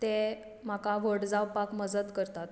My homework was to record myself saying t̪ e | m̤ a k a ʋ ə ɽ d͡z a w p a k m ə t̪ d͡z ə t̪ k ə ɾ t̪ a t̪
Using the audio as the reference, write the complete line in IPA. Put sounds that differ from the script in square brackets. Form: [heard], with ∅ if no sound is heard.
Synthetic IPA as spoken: t̪ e | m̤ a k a ʋ ə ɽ d͡z a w p a k m ə [∅] d͡z ə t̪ k ə ɾ t̪ a t̪